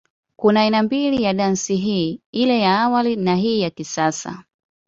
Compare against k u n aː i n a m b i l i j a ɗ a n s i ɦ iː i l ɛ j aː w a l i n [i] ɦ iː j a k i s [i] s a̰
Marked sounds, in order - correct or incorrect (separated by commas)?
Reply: incorrect, incorrect